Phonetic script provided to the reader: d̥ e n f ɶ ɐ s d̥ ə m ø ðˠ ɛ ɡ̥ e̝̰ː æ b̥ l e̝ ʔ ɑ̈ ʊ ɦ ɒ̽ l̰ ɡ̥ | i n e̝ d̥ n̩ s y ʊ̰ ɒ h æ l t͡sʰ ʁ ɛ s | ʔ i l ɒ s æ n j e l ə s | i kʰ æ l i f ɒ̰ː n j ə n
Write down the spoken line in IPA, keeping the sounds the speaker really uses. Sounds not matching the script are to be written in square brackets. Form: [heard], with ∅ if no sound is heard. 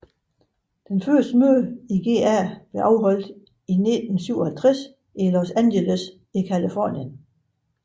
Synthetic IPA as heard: d̥ e n f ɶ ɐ s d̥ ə m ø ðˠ [i] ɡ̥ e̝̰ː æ b̥ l e̝ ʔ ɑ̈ ʊ ɦ ɒ̽ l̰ [d̥] | i n e̝ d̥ n̩ s y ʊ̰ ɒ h æ l t͡sʰ ʁ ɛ s | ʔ i l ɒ s æ n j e l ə s | i kʰ æ l i f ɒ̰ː n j ə n

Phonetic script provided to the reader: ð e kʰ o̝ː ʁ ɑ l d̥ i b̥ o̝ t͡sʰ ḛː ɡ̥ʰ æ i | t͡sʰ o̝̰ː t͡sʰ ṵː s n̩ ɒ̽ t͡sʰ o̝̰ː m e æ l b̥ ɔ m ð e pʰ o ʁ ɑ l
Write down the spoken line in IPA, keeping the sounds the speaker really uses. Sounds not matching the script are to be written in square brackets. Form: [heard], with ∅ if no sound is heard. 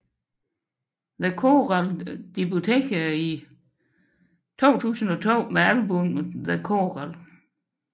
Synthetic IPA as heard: ð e kʰ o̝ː ʁ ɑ l d̥ i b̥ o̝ t͡sʰ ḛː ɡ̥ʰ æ i | t͡sʰ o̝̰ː t͡sʰ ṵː s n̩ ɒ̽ t͡sʰ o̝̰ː m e æ l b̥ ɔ m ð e [kʰ] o ʁ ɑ l

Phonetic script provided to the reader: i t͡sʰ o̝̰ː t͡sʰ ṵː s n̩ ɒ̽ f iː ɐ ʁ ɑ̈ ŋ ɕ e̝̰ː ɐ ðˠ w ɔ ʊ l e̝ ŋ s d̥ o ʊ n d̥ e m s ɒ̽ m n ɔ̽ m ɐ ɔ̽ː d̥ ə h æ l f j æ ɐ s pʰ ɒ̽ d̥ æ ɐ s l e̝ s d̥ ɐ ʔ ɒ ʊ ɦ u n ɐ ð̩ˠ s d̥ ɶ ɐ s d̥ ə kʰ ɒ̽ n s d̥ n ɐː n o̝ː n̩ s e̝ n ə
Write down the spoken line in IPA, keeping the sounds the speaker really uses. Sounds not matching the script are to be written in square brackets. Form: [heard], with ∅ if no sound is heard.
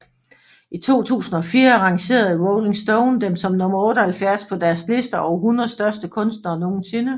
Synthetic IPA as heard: i t͡sʰ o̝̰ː t͡sʰ ṵː s n̩ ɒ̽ f iː ɐ ʁ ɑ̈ ŋ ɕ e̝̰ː ɐ ðˠ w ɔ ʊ l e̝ ŋ s d̥ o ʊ n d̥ e m s ɒ̽ m n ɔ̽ m ɐ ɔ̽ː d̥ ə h æ l f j æ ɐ s pʰ ɒ̽ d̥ æ ɐ s l e̝ s d̥ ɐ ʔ ɒ ʊ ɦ u n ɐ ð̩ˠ s d̥ ɶ ɐ s d̥ ə kʰ [ɔ̽] n s d̥ n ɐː n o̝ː n̩ s e̝ n ə

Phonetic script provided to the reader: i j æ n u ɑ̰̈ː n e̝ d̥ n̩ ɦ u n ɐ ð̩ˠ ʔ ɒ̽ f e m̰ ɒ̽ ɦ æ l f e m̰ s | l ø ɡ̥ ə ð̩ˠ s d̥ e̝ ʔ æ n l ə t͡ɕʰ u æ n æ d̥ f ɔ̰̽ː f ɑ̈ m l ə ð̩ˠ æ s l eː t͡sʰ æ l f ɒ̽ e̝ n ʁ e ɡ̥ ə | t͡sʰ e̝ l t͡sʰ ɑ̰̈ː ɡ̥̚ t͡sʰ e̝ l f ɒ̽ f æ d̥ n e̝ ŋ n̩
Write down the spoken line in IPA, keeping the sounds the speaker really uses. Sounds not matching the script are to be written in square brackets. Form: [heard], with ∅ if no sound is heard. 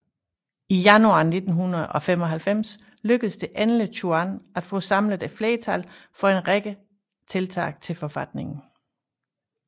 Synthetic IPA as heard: i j æ n u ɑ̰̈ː n e̝ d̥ n̩ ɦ u n ɐ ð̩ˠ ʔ ɒ̽ f e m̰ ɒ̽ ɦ æ l f e m̰ s | l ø ɡ̥ ə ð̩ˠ s d̥ e̝ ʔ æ n l ə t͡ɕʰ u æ n æ d̥ f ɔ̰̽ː [s] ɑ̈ m l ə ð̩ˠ æ [f] l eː t͡sʰ æ l f ɒ̽ e̝ n ʁ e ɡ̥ ə | t͡sʰ e̝ l t͡sʰ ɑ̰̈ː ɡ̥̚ t͡sʰ e̝ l f ɒ̽ f æ d̥ n e̝ ŋ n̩

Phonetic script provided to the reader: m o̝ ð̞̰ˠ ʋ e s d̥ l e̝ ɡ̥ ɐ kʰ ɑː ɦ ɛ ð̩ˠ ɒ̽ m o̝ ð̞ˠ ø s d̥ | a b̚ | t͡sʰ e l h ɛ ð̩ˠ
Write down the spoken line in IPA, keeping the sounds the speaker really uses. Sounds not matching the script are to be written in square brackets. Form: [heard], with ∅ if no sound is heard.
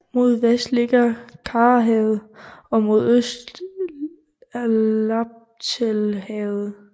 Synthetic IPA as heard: m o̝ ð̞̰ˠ ʋ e s d̥ l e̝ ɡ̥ ɐ kʰ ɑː ɦ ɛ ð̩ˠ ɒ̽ m o̝ ð̞ˠ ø s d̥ | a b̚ | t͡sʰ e l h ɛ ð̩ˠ

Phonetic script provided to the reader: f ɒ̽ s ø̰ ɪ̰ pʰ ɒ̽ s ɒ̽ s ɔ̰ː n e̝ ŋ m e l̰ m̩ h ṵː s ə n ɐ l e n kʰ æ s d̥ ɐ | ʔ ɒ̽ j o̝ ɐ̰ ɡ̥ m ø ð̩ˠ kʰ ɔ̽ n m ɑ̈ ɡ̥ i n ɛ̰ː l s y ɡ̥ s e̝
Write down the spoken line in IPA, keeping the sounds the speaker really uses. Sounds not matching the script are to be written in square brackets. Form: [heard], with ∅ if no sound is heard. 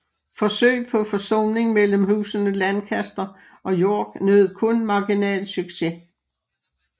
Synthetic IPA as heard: f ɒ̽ s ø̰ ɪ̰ pʰ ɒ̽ [f] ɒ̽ s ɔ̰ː n e̝ ŋ m e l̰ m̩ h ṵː s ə n [ə] l [æ] n kʰ æ s d̥ ɐ | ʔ ɒ̽ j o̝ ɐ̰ ɡ̥ [n] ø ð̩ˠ kʰ ɔ̽ n m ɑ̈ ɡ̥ i n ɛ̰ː l s y ɡ̥ s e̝

